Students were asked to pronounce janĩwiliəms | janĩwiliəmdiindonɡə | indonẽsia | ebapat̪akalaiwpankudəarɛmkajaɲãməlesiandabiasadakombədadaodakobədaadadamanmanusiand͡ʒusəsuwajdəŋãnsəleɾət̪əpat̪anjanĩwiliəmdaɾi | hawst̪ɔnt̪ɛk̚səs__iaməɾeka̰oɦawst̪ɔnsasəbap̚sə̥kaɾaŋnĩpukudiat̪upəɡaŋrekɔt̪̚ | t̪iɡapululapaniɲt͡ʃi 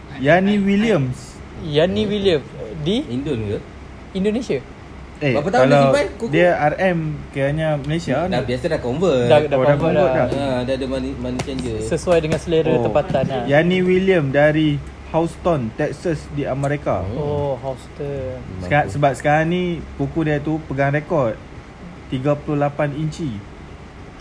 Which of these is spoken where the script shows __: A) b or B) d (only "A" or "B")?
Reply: B